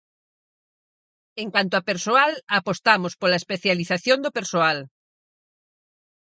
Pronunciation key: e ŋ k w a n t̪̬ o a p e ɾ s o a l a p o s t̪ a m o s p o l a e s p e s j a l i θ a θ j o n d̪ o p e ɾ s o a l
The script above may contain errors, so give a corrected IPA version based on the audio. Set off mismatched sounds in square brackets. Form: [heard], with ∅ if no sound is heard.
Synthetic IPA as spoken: e ŋ k w a n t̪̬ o a p e ɾ s o a l a p o s t̪ a m o s p o l a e s p e [θ] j a l i θ a θ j o n d̪ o p e ɾ s o a l

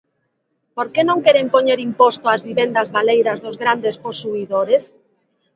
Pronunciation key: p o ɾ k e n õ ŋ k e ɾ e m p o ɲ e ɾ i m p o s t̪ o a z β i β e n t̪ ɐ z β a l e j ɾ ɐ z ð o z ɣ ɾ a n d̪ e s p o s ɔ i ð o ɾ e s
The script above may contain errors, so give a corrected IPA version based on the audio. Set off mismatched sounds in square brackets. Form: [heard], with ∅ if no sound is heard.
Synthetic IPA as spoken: p o ɾ k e n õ ŋ k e ɾ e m p o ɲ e ɾ i m p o s t̪ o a z β i β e n [d̪] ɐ z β a l e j ɾ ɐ z ð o z ɣ ɾ a n d̪ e s p o s [u] i ð o ɾ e s

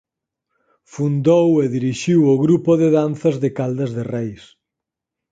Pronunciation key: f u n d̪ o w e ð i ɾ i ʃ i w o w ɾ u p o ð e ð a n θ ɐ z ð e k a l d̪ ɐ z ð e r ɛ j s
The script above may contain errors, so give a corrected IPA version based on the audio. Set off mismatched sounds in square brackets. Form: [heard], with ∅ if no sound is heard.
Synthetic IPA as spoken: f u n d̪ o w e ð i ɾ i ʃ i w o [ɣ] ɾ u p o ð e ð a n θ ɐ z ð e k a l d̪ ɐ z ð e r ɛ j s

